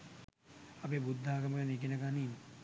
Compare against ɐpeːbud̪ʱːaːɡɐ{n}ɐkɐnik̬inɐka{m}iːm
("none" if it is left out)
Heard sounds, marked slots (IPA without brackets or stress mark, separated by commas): m, n